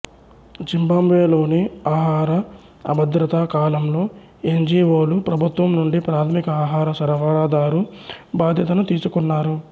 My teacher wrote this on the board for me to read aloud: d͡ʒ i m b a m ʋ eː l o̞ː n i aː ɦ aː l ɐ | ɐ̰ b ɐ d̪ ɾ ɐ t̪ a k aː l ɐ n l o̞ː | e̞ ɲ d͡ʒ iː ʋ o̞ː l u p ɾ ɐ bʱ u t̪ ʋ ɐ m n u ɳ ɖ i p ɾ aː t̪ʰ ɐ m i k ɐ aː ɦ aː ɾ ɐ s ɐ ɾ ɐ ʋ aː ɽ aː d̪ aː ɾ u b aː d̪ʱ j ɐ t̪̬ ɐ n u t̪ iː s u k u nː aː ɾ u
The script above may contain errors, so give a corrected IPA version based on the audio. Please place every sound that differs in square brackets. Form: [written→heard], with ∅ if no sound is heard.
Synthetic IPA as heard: d͡ʒ i m b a m ʋ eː l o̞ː n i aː ɦ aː [l→ɾ] ɐ | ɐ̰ b ɐ d̪ ɾ ɐ t̪ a k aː l ɐ [n→m] l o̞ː | e̞ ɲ d͡ʒ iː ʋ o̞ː l u p ɾ ɐ bʱ u t̪ ʋ ɐ m n u ɳ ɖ i p ɾ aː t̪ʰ ɐ m i k ɐ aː ɦ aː ɾ ɐ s ɐ ɾ ɐ ʋ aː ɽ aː d̪ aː ɾ u b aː d̪ʱ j ɐ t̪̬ ɐ n u t̪ iː s u k u nː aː ɾ u